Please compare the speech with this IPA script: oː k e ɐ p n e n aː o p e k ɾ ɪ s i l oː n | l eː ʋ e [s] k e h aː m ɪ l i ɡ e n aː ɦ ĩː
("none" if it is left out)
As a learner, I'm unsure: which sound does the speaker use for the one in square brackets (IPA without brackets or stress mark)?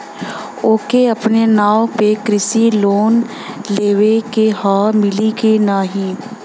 none